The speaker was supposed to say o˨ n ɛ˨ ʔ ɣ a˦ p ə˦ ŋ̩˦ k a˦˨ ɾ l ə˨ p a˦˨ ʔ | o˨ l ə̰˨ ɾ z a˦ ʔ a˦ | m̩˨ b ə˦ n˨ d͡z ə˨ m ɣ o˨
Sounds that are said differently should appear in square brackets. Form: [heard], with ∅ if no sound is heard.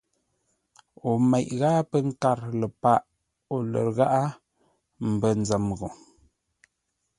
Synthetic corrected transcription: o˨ [m] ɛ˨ ʔ ɣ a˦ p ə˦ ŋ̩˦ k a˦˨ ɾ l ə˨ p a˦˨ ʔ | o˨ l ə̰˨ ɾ [ɣ] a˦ ʔ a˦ | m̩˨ b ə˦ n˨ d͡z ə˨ m ɣ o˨

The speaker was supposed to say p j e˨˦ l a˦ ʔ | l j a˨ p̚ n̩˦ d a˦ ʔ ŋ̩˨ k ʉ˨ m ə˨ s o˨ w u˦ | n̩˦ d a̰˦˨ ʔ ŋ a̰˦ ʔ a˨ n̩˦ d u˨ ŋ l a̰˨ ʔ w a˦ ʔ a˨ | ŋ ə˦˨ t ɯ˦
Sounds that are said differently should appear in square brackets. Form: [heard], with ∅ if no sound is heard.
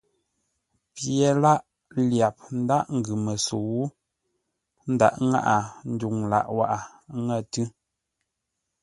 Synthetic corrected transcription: p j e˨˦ l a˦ ʔ | l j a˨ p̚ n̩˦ d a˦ ʔ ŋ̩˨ [ɡ] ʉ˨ m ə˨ s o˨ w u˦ | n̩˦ d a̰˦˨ ʔ ŋ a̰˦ ʔ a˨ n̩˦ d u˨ ŋ l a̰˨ ʔ w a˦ ʔ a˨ | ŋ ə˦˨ t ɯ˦

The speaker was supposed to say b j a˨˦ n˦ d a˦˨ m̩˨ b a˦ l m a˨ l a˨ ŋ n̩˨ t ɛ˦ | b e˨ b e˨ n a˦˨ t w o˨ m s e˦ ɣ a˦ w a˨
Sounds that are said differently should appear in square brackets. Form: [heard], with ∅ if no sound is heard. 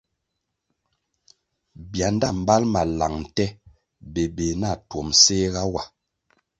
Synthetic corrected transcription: b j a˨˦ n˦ d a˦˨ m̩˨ b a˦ l m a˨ l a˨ ŋ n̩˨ t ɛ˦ | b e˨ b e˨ n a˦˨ t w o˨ m s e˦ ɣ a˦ w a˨

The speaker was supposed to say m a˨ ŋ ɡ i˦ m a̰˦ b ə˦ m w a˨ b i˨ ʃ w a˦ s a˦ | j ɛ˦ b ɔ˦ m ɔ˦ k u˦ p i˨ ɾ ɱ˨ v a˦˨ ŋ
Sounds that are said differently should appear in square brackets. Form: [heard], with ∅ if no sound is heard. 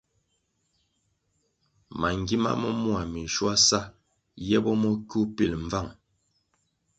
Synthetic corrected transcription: m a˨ ŋ ɡ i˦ m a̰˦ [m] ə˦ m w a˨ [m] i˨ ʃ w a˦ s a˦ | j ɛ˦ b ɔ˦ m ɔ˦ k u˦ p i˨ [l] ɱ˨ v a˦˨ ŋ

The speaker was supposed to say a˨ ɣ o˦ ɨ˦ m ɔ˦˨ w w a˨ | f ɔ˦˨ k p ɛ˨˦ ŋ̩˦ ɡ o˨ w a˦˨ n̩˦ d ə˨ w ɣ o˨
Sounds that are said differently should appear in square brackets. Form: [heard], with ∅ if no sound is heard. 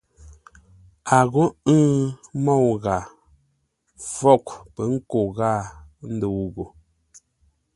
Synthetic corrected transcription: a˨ ɣ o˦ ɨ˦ m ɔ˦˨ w [ɣ] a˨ | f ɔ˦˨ k p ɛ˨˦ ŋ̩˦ [k] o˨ [ɣ] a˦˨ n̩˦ d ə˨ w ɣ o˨

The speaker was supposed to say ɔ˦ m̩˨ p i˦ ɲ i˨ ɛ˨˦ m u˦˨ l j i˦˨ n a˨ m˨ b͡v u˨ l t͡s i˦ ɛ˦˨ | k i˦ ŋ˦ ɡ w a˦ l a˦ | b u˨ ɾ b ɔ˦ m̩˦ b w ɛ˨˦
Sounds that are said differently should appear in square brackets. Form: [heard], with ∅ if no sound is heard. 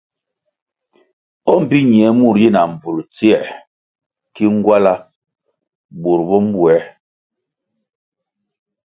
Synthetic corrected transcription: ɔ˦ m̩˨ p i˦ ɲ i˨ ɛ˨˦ m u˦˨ [ɾ] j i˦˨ n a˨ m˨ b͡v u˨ l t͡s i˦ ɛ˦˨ | k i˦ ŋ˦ ɡ w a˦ l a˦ | b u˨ ɾ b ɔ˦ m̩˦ b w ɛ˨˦

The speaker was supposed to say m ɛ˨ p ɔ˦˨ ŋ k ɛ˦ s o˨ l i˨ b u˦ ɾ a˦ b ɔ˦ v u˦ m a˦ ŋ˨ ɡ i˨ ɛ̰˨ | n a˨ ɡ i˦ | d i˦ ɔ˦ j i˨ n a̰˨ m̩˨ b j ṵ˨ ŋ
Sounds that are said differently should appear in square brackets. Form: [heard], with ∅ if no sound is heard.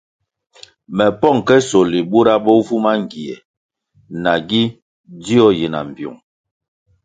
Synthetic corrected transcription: m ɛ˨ p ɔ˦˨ ŋ k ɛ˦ s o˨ l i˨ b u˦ ɾ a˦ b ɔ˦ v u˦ m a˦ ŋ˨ ɡ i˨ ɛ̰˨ | n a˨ ɡ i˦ | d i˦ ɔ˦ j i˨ n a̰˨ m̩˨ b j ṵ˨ ŋ

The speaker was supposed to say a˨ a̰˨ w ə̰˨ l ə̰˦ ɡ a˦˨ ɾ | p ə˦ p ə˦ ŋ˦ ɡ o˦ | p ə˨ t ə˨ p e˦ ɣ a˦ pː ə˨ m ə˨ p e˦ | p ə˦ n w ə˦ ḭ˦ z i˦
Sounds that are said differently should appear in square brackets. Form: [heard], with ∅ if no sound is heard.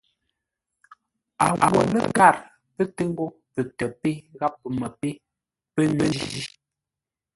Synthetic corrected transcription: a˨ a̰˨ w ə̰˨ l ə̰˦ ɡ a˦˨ ɾ | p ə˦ [t] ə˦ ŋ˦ ɡ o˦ | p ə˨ t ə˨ p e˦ ɣ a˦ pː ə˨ m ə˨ p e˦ | p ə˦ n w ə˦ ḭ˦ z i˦

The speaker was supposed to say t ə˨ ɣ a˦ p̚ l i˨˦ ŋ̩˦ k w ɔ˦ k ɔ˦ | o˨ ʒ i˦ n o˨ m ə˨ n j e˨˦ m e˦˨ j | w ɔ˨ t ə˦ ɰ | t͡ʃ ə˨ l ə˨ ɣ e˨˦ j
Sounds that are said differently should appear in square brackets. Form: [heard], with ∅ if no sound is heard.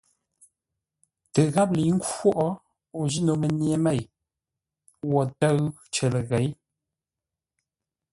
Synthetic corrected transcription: t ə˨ ɣ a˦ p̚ l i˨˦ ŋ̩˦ k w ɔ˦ [ʔ] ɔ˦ | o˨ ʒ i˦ n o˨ m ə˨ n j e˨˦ m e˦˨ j | w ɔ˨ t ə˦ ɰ | t͡ʃ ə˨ l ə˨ ɣ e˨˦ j

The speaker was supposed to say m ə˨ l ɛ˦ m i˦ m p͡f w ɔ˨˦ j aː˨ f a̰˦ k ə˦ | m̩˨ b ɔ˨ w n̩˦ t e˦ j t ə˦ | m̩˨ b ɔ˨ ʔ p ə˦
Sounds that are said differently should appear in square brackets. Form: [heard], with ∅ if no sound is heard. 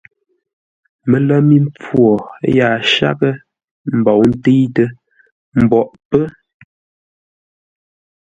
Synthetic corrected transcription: m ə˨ l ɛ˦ m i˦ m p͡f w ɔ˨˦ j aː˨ [ʃ] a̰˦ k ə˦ | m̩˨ b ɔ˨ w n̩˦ t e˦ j t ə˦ | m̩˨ b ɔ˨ ʔ p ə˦

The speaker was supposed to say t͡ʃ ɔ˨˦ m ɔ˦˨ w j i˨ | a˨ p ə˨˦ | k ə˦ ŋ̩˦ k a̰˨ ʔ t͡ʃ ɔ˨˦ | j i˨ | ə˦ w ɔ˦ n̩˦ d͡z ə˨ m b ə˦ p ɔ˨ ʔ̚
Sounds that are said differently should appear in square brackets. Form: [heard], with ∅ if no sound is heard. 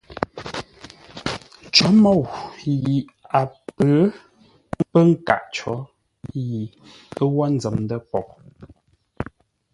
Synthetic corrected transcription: t͡ʃ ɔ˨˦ m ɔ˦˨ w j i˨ | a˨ p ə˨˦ | [p] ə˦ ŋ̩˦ k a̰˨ ʔ t͡ʃ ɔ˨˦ | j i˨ | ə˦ w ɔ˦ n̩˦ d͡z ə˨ m [d] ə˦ p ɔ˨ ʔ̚

